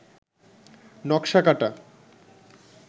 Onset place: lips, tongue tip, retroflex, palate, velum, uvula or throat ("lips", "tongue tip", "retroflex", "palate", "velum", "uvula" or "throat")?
tongue tip